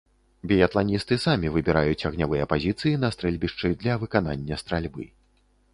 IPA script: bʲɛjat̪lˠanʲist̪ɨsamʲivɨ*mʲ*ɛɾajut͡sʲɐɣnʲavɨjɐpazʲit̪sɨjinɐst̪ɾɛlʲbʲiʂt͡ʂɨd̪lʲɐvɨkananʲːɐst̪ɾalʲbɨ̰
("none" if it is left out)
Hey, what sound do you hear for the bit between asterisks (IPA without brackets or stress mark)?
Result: bʲ